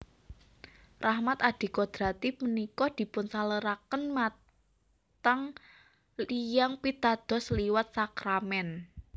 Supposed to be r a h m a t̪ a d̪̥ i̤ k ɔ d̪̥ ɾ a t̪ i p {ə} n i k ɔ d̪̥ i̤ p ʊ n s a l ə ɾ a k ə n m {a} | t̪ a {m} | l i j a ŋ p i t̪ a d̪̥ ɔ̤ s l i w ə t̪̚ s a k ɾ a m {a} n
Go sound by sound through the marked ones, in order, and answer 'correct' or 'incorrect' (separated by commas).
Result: correct, correct, incorrect, incorrect